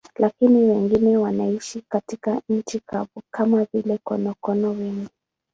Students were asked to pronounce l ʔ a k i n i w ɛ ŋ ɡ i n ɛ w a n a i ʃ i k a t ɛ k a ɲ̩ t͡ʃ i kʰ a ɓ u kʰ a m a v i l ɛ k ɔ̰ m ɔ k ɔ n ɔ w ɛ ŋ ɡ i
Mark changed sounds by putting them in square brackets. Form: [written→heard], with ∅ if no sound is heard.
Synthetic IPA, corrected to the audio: l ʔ a k i n i w ɛ ŋ ɡ i n ɛ w a n a i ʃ i k a t [ɛ→i] k a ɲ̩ t͡ʃ i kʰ a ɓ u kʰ a m a v i l ɛ k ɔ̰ [m→n] ɔ k ɔ n ɔ w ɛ ŋ ɡ i